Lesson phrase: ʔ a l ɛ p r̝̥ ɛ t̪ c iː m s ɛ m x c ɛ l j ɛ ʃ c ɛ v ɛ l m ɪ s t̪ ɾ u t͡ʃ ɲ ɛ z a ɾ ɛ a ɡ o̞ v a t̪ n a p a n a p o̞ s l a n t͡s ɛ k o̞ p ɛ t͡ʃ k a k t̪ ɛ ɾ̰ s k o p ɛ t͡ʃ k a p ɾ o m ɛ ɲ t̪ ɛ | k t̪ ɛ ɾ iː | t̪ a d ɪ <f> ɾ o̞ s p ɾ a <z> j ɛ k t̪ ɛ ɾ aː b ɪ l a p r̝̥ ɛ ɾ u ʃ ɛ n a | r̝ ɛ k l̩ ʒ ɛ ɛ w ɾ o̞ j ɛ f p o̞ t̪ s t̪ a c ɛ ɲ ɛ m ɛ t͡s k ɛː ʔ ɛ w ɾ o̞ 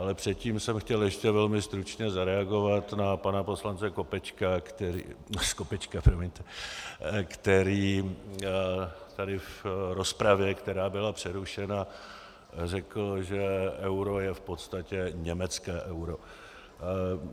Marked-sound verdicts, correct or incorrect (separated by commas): correct, incorrect